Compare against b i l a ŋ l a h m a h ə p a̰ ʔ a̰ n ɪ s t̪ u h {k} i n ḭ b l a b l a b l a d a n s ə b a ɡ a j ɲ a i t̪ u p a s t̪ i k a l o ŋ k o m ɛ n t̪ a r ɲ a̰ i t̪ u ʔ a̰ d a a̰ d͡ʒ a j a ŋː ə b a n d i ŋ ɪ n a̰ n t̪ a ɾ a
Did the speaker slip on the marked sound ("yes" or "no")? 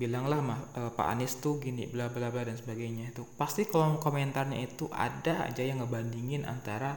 yes